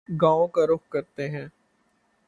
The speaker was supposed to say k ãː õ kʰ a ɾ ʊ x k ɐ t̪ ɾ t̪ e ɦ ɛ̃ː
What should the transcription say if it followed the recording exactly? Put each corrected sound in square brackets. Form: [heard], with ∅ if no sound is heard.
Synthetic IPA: [ɡ] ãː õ [k] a ɾ ʊ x k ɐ [∅] ɾ t̪ e ɦ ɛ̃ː